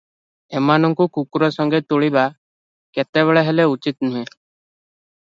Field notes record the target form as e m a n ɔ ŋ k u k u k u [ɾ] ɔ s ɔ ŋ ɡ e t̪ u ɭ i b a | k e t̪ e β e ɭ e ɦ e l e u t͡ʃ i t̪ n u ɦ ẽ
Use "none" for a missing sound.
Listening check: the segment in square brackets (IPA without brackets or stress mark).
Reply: ɾ